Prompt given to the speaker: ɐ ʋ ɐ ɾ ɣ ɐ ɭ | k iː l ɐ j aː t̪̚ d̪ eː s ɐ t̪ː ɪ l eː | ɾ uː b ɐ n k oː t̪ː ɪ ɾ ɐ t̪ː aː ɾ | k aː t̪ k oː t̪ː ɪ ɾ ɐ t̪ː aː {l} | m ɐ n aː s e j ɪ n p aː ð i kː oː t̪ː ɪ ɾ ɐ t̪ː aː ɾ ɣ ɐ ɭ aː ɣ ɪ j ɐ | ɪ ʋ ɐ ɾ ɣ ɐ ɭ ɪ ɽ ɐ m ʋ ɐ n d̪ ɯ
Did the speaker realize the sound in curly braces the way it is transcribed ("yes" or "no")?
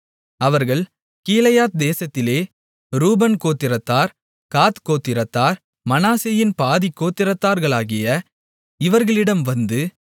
no